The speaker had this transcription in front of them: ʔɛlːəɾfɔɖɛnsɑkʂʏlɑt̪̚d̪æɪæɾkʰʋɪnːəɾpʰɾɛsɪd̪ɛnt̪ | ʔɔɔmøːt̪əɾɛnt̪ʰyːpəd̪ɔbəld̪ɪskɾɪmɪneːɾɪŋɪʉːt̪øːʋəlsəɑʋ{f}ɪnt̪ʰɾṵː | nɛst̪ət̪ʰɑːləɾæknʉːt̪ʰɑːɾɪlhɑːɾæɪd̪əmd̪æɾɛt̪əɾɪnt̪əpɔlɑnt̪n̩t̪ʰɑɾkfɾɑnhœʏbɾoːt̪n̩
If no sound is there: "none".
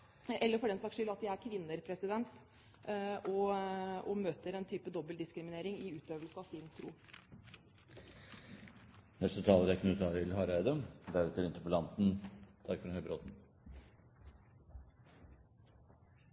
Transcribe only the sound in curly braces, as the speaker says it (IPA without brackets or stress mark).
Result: s